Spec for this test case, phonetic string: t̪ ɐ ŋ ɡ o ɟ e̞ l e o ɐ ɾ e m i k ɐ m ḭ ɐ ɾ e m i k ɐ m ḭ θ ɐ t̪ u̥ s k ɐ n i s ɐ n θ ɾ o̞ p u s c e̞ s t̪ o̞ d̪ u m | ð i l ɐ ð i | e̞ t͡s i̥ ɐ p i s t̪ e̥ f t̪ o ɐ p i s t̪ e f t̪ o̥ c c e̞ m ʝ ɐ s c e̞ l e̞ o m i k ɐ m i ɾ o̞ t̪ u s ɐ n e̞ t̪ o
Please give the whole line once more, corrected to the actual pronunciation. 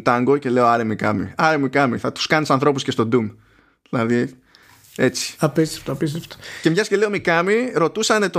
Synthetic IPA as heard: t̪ ɐ ŋ ɡ o c e̞ l e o ɐ ɾ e m i k ɐ m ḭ ɐ ɾ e m i k ɐ m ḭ θ ɐ t̪ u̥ s k ɐ n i s ɐ n θ ɾ o̞ p u s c e̞ s t̪ o̞ d̪ u m | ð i l ɐ ð i | e̞ t͡s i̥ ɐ p i s t̪ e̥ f t̪ o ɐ p i s t̪ e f t̪ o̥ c c e̞ m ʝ ɐ s c e̞ l e̞ o m i k ɐ m i ɾ o̞ t̪ u s ɐ n e̞ t̪ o